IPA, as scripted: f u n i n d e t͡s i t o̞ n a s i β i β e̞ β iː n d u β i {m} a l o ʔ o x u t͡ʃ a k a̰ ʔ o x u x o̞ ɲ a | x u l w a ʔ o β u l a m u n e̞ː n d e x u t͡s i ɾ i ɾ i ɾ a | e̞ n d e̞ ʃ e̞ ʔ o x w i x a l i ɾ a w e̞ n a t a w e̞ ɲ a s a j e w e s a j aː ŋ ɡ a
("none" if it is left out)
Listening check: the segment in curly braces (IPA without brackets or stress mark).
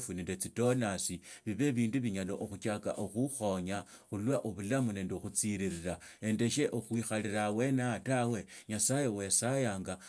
ɲ